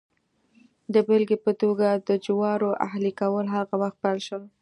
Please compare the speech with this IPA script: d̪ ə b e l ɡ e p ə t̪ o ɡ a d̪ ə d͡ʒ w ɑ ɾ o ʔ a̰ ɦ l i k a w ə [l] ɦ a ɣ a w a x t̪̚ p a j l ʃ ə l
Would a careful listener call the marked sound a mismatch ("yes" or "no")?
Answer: no